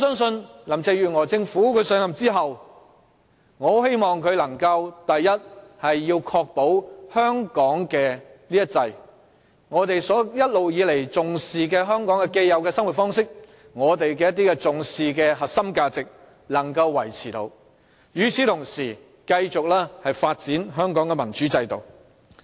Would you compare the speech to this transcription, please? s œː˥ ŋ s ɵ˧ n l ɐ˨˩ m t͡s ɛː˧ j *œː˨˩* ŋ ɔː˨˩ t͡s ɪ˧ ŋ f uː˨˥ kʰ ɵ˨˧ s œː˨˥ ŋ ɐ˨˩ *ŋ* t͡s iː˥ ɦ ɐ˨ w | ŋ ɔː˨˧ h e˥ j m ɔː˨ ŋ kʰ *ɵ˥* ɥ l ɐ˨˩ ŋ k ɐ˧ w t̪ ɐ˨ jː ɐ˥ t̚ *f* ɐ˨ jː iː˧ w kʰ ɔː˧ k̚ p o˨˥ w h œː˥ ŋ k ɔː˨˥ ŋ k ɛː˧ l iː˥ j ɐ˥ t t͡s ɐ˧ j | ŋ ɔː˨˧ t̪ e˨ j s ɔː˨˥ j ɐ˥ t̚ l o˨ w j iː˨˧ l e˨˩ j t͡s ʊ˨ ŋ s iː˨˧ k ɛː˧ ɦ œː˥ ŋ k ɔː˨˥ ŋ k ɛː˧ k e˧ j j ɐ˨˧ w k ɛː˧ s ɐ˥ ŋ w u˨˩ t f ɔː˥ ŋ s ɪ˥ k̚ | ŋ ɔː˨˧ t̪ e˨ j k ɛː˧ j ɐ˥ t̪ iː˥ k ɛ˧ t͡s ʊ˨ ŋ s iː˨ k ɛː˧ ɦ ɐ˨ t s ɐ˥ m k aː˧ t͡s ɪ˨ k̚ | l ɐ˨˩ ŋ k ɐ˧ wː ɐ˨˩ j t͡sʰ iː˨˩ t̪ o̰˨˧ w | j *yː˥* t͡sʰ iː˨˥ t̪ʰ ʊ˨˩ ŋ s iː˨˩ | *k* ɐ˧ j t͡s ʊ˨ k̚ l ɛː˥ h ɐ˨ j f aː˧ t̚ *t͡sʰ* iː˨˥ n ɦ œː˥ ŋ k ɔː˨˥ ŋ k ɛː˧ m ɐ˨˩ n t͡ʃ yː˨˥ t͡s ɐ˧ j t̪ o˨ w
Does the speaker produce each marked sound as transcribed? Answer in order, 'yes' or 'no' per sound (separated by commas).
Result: no, no, no, no, no, yes, no